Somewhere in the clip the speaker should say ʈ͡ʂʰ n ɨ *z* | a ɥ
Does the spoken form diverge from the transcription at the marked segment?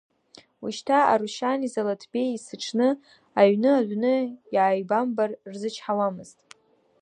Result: yes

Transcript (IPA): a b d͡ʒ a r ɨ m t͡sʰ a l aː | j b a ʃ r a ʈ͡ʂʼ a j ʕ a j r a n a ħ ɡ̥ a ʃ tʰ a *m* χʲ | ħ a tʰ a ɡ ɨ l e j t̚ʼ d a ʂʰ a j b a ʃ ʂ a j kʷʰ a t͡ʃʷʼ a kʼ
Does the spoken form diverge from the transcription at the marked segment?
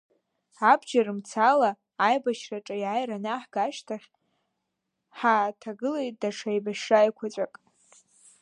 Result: yes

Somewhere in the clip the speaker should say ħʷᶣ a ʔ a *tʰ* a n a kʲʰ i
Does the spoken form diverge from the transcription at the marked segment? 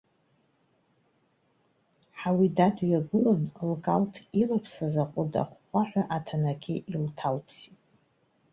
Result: no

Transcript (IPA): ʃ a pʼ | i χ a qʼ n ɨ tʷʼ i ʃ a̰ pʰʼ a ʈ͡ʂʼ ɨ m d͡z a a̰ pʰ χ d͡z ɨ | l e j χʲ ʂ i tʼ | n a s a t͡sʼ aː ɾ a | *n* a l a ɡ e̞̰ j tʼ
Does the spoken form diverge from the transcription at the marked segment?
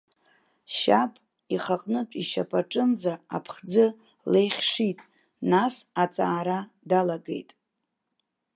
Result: yes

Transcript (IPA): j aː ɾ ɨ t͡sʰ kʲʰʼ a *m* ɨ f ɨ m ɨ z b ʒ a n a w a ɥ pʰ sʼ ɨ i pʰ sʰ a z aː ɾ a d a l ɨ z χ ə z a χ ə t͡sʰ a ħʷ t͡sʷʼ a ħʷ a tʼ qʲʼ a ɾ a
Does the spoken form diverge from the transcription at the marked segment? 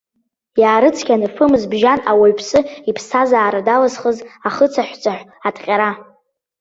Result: yes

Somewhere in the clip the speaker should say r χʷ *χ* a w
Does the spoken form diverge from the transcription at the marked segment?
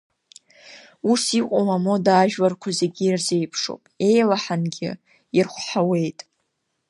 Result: yes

